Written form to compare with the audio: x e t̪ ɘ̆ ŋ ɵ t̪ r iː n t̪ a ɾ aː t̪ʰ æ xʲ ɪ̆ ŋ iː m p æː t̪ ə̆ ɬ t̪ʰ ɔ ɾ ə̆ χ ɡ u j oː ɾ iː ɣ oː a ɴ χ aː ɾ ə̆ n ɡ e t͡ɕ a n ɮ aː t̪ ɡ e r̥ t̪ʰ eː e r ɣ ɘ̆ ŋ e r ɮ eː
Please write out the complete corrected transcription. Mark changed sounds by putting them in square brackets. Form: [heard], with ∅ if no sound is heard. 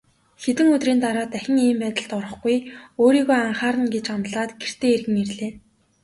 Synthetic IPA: x e t̪ ɘ̆ ŋ ɵ t̪ r iː n t̪ a ɾ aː [t̪] æ xʲ ɪ̆ ŋ iː m p æː t̪ ə̆ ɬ [t̪] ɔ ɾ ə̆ χ ɡ u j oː ɾ iː ɣ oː a ɴ χ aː ɾ ə̆ n ɡ e t͡ɕ a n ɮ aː t̪ ɡ e r̥ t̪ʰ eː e r ɣ ɘ̆ ŋ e r ɮ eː